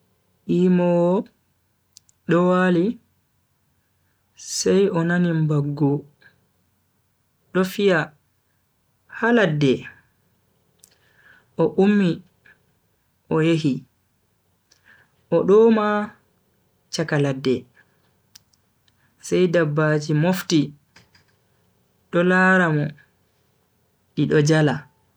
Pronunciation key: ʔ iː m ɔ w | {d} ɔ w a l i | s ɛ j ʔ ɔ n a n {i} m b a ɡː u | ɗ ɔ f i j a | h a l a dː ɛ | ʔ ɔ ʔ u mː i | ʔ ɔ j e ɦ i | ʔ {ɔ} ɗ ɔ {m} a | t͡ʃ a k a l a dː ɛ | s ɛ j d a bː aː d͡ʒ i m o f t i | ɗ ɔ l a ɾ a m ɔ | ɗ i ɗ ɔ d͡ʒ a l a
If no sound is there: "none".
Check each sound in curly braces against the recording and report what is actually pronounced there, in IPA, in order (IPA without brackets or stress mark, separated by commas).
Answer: ɗ, i, ɔ, m